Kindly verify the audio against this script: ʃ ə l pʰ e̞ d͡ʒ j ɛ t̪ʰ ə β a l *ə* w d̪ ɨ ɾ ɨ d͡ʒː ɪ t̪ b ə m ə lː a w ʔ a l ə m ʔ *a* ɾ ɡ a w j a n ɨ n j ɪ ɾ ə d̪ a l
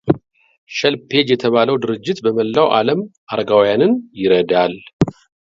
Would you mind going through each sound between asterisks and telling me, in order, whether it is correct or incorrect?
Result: correct, correct

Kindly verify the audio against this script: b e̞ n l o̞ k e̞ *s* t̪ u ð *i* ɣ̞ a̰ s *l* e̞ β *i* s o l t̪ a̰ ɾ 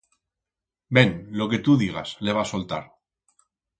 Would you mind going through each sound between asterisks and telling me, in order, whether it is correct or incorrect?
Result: incorrect: none, correct, correct, incorrect: a

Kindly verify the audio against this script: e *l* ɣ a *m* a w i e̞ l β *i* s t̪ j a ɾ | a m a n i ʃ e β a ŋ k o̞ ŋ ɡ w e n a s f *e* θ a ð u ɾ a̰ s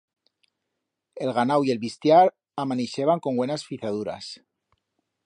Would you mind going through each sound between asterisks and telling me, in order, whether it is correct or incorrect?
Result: correct, incorrect: n, correct, incorrect: i

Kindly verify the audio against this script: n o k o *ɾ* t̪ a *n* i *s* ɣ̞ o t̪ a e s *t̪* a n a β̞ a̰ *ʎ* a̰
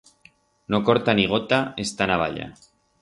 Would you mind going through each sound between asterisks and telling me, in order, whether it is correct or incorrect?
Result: correct, correct, incorrect: none, correct, correct

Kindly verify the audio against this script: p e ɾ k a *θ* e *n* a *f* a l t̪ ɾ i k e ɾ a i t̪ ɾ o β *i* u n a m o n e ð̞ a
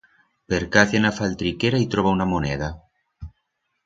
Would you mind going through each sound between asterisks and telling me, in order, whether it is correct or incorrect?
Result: correct, correct, correct, incorrect: a

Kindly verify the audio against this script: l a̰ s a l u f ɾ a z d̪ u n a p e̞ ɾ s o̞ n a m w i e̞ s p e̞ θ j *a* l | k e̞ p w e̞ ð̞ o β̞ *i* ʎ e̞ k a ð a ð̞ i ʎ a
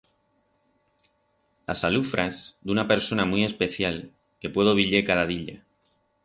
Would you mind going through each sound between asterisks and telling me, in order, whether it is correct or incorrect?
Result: correct, correct

